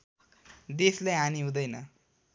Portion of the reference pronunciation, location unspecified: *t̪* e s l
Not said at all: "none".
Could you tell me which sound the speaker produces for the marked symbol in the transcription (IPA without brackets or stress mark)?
d̪